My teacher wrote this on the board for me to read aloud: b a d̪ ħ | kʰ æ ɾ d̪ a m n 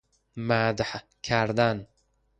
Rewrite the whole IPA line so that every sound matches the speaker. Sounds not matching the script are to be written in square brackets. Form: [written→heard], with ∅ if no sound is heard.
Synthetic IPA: [b→m] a d̪ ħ | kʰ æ ɾ d̪ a [m→∅] n